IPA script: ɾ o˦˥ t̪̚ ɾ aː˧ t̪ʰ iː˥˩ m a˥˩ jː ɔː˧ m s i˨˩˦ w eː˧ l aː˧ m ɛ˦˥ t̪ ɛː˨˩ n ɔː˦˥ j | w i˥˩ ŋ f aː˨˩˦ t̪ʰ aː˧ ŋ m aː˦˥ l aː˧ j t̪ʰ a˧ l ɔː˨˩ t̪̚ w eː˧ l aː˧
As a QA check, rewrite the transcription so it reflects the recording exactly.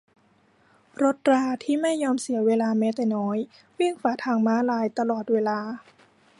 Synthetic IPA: ɾ o˦˥ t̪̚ ɾ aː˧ t̪ʰ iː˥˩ m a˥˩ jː ɔː˧ m s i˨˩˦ w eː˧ l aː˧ m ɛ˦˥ t̪ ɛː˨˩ n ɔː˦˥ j | w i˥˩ ŋ f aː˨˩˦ t̪ʰ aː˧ ŋ m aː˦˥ l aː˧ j t̪ a˧ l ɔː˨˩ t̪̚ w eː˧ l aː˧